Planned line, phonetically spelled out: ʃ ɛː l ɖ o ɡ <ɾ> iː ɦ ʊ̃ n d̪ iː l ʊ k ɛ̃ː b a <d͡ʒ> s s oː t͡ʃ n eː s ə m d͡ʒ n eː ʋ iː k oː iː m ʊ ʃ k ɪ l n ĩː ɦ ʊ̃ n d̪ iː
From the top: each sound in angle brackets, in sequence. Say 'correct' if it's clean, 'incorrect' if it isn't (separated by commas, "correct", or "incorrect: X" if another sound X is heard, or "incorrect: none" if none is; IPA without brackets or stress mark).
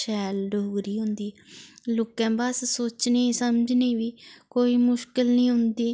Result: correct, incorrect: none